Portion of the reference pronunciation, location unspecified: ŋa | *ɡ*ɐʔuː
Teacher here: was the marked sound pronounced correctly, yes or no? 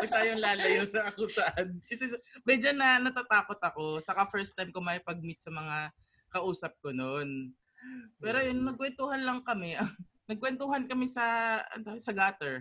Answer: no